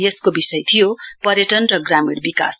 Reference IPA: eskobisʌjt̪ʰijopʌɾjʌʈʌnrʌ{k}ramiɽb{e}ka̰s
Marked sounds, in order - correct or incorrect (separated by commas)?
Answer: incorrect, incorrect